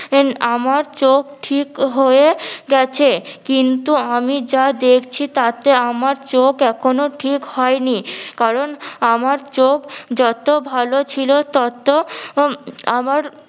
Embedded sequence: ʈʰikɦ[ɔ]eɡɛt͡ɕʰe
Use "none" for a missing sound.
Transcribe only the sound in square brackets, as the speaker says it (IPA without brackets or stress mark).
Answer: o